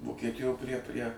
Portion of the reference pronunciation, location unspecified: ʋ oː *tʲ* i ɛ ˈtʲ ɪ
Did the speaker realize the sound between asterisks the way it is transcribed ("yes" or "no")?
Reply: no